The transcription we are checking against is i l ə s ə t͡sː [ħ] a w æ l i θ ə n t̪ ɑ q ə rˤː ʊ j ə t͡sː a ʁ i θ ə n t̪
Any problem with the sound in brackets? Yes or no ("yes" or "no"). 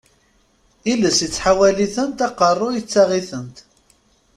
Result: no